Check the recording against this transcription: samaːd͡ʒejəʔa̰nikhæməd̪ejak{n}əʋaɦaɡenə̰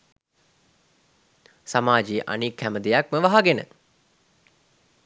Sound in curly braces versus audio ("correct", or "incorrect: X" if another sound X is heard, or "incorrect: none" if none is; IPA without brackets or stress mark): incorrect: m